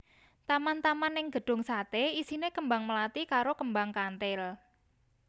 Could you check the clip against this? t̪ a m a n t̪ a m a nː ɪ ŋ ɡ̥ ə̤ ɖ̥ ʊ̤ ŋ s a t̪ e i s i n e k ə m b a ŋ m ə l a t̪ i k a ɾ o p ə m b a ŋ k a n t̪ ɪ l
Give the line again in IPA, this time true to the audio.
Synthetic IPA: t̪ a m a n t̪ a m a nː ɪ ŋ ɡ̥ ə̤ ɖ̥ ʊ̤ ŋ s a t̪ e i s i n e k ə m b a ŋ m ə l a t̪ i k a ɾ o k ə m b a ŋ k a n t̪ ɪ l